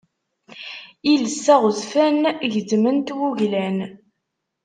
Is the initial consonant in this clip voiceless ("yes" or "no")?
no